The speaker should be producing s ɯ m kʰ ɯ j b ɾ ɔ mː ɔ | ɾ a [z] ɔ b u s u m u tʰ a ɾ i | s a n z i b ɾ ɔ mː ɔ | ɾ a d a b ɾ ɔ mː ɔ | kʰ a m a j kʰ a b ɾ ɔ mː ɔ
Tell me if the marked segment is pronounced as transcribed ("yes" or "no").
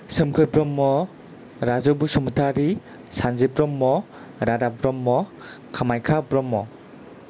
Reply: yes